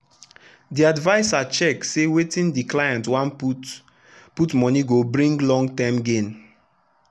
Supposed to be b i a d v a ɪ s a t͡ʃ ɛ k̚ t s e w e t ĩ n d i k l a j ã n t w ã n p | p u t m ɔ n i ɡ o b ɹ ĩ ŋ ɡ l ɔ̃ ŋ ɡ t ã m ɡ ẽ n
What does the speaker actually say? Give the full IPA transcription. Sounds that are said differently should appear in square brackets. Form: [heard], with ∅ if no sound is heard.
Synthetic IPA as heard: [d] i a d v a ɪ s a t͡ʃ ɛ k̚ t s e w e t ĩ n d i k l a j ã n t w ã n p | p u t m ɔ n i ɡ o b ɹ ĩ ŋ ɡ l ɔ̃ ŋ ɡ t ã m ɡ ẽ n